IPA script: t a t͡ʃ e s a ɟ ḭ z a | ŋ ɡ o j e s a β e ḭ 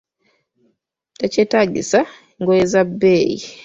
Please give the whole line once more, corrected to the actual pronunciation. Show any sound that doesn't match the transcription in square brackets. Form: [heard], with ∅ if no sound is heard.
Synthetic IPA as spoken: t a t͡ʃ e [t] a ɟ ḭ [s] a | ŋ ɡ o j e [z] a [b] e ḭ